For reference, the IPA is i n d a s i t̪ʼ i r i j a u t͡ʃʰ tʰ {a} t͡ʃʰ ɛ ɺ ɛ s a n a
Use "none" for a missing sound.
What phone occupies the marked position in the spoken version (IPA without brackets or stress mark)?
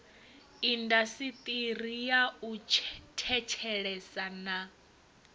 ɛ